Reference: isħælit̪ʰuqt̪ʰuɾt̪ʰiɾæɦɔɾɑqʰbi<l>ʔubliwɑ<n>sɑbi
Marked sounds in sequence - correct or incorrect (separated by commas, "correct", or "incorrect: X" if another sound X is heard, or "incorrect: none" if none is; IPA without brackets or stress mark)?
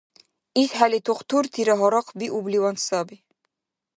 incorrect: none, correct